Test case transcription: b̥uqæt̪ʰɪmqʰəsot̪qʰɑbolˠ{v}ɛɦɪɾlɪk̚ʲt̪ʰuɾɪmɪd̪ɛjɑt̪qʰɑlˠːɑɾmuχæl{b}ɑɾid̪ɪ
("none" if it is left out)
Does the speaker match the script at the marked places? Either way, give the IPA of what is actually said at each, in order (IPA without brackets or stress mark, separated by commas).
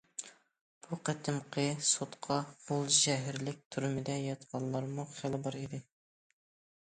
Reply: ʒ, b